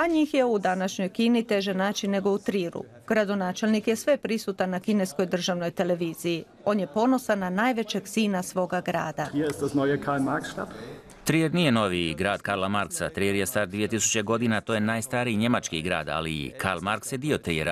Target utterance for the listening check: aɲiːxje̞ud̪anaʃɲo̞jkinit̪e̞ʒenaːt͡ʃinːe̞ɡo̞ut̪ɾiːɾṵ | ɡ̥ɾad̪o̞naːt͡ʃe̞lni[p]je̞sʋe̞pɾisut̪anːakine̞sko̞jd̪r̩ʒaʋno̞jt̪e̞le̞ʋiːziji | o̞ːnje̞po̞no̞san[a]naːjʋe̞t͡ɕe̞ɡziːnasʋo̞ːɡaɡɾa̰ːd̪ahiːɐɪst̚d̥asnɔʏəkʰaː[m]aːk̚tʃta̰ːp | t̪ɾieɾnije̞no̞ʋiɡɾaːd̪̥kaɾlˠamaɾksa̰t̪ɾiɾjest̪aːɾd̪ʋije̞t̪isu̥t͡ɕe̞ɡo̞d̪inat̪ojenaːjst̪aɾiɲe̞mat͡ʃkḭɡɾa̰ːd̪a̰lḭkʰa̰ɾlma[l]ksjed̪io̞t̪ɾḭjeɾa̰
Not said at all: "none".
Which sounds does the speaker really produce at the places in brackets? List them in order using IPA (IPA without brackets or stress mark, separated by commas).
k, a, m, ɾ